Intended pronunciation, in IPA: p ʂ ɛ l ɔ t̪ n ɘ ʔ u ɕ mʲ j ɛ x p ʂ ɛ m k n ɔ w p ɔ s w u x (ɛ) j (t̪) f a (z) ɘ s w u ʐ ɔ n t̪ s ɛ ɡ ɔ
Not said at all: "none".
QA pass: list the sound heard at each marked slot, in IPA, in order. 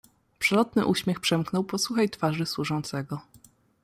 a, t̪, ʐ

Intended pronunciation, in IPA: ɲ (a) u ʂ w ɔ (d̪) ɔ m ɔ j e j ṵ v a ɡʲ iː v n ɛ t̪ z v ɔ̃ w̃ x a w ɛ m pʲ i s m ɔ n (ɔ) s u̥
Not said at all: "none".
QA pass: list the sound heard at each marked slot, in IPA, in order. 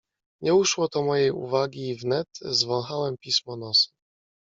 ɛ, t̪, ɔ

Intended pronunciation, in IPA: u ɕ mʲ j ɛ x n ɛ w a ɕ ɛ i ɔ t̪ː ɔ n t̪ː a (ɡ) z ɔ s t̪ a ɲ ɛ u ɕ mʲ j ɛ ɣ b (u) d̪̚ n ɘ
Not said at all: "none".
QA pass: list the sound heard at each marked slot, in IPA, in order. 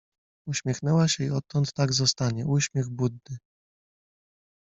ɡ, u

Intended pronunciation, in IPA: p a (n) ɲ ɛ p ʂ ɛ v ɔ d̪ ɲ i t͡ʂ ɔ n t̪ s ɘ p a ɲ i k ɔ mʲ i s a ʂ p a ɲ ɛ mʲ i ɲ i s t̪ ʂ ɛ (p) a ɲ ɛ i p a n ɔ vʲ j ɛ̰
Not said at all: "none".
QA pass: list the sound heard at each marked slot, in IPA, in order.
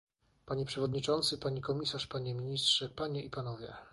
none, p

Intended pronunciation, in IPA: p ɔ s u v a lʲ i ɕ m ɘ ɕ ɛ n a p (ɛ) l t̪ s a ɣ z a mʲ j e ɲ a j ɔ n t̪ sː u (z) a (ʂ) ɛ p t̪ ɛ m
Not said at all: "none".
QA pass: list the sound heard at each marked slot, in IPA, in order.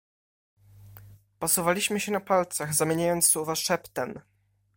a, v, ʂ

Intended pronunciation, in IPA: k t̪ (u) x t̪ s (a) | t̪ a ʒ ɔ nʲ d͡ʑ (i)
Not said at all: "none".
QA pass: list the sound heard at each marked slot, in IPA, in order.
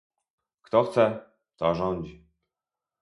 ɔ, ɛ, i

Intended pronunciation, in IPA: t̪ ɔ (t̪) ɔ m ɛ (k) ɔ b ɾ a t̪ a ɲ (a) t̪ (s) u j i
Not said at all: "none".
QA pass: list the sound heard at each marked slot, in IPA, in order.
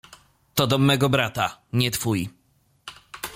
d̪, ɡ, ɛ, f

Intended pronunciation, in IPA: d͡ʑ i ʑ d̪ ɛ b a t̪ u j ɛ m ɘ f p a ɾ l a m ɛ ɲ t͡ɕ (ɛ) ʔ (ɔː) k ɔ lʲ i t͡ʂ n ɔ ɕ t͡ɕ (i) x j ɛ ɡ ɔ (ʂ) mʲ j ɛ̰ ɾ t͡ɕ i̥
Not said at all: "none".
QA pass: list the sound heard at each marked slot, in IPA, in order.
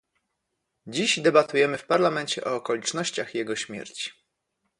ɛ, ɔː, a, ɕ

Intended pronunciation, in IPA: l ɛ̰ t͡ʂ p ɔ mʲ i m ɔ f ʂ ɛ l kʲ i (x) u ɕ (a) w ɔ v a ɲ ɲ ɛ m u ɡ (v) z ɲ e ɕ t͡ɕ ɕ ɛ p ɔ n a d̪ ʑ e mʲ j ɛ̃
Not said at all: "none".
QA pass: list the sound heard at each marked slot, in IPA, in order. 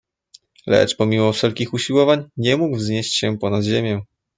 x, i, v

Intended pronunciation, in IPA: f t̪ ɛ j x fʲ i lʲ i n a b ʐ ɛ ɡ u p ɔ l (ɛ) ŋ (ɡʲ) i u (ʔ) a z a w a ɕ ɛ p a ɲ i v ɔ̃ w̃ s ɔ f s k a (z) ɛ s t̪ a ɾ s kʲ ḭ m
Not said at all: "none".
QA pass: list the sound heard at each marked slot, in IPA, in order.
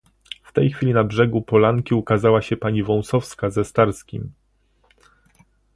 a, kʲ, k, z

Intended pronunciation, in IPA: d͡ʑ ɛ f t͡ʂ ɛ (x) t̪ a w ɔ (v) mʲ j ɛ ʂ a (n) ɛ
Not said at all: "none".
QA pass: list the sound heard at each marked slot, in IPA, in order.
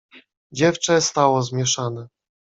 s, z, n

